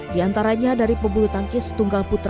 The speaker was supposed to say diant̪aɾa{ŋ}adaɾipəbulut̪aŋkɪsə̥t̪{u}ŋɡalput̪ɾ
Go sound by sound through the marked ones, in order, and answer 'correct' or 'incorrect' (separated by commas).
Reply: incorrect, correct